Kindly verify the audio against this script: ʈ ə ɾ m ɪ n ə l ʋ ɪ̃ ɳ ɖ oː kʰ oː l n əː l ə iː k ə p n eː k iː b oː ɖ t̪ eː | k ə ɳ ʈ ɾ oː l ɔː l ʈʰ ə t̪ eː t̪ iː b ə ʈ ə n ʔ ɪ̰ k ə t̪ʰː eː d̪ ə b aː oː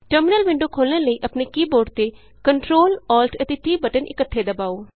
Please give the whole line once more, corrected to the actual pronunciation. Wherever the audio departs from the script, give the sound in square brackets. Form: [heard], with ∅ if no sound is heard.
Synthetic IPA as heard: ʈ ə ɾ m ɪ n ə l ʋ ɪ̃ ɳ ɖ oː kʰ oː l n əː l ə iː [ʔ] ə p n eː k iː b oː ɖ t̪ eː | k ə ɳ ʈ ɾ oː l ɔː l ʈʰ ə t̪ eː t̪ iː b ə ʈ ə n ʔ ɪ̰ k ə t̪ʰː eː d̪ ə b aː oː